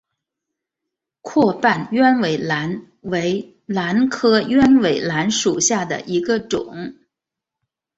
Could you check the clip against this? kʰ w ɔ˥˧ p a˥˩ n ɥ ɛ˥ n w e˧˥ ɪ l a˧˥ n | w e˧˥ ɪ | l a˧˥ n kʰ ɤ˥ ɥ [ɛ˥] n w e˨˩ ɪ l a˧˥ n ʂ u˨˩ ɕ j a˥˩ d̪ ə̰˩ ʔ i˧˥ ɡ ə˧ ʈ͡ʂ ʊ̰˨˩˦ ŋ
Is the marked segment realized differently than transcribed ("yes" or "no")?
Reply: no